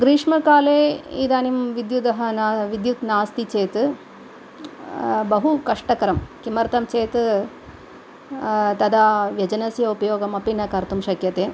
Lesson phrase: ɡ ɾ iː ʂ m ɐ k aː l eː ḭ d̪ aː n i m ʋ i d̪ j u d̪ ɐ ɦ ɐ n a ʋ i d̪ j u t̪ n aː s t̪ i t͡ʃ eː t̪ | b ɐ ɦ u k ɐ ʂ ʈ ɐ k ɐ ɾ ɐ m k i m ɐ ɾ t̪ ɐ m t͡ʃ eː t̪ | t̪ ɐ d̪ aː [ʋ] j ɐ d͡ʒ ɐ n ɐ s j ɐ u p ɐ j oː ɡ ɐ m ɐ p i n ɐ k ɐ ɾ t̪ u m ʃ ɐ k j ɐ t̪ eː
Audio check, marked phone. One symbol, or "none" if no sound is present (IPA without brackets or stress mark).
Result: ʋ